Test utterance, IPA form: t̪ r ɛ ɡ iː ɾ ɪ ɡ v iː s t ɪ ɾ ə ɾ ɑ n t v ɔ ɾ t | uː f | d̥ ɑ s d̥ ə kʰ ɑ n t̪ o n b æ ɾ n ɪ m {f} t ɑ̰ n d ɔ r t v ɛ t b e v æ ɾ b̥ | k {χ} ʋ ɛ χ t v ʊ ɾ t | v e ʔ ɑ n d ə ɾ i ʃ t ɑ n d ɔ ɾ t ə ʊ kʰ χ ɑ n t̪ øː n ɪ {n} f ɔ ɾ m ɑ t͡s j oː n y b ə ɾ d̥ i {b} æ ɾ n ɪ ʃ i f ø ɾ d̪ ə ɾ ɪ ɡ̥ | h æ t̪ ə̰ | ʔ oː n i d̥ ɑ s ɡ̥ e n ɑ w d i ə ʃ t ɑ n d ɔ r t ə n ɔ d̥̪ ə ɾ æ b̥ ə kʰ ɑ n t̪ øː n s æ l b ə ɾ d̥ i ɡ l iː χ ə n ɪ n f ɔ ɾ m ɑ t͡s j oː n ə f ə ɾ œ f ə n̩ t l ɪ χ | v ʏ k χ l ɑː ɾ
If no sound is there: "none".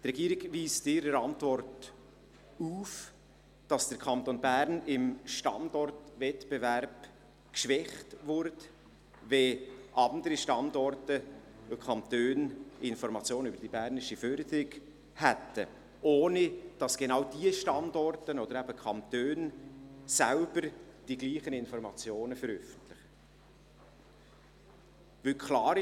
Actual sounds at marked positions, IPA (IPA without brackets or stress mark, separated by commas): ʃ, ʃ, n, b